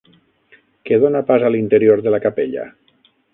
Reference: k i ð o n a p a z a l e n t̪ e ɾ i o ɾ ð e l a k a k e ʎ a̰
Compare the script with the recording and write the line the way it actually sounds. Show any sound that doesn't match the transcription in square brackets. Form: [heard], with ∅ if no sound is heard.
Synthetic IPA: k [e] ð o n a p a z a l [i] n t̪ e ɾ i o ɾ ð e l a k a [p] e ʎ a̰